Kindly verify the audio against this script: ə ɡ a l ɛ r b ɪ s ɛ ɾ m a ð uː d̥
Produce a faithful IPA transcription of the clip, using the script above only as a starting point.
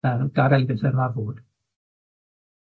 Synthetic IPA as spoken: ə ɡ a ɾ ɛ l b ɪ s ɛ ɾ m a v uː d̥